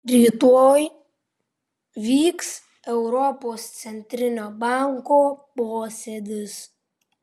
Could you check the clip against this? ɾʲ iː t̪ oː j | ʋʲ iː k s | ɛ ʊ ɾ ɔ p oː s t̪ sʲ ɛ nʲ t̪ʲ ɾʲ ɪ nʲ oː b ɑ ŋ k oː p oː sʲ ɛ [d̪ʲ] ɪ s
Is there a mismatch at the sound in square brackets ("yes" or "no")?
no